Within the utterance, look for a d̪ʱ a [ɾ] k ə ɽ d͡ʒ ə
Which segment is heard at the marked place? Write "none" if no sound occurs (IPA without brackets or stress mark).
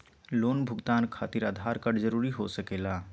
ɾ